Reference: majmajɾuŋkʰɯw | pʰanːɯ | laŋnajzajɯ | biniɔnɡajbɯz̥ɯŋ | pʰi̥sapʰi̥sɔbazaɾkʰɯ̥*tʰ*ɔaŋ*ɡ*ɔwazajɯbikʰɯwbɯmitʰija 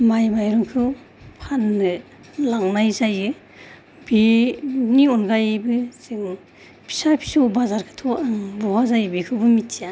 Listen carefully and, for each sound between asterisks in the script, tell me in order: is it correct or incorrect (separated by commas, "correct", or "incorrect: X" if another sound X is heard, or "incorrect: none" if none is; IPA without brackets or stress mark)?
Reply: correct, incorrect: b